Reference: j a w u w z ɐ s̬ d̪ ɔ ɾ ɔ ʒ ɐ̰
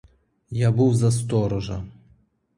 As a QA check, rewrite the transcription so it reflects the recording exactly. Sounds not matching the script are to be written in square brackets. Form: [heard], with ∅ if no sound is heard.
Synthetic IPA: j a [b] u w z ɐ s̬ [t̪] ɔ ɾ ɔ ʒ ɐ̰